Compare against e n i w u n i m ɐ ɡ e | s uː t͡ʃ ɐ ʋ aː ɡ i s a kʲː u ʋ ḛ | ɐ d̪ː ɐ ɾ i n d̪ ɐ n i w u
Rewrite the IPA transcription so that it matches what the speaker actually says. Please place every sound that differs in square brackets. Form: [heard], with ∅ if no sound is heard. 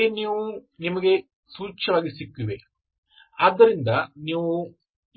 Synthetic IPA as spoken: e n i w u n i m ɐ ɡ e | s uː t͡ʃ ɐ ʋ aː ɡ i s [i] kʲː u ʋ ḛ | ɐ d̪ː ɐ ɾ i n d̪ ɐ n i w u